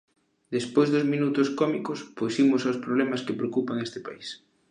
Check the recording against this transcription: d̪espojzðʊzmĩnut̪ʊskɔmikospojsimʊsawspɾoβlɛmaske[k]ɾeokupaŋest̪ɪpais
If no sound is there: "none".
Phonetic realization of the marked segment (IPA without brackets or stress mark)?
p